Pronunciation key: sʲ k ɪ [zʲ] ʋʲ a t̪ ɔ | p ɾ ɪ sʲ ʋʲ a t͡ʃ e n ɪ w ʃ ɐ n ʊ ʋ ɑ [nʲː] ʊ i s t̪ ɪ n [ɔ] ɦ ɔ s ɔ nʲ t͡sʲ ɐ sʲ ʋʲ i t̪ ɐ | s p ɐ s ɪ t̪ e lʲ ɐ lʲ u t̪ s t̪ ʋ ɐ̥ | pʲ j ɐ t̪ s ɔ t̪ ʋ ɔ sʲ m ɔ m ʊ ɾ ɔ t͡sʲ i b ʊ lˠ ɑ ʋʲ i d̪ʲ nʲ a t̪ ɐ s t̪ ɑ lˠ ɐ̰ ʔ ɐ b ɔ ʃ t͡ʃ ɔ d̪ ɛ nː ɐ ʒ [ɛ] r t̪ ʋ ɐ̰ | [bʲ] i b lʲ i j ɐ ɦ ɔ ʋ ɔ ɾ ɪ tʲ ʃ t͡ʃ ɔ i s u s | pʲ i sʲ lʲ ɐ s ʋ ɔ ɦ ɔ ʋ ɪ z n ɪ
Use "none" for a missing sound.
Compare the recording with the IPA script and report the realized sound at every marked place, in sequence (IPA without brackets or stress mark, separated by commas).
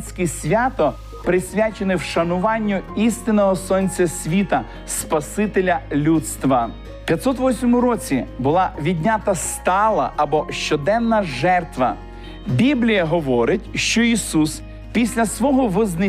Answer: sʲ, nʲː, ɔ, ɛ, bʲ